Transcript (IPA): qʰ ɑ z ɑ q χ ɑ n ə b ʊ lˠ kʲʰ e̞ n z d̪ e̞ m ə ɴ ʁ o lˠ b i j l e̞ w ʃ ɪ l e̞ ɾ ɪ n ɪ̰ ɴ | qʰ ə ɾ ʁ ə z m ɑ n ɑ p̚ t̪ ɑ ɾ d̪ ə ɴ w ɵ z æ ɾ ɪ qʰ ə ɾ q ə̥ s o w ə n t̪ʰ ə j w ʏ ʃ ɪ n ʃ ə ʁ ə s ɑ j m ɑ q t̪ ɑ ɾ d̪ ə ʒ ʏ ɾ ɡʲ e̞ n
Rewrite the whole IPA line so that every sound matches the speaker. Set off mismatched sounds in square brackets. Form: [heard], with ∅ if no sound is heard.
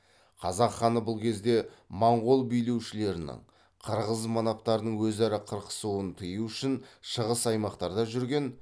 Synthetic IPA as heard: qʰ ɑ z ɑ q χ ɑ n ə b ʊ lˠ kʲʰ e̞ [∅] z d̪ e̞ m [ɑ] ɴ ʁ o lˠ b i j l e̞ w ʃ ɪ l e̞ ɾ ɪ n ɪ̰ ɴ | qʰ ə ɾ ʁ ə z m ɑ n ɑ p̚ t̪ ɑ ɾ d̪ ə ɴ w ɵ z æ ɾ ɪ qʰ ə ɾ q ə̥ s [u] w ə n t̪ʰ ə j [u] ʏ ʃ ɪ n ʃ ə ʁ ə s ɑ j m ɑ q t̪ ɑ ɾ d̪ [ɑ] ʒ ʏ ɾ ɡʲ e̞ n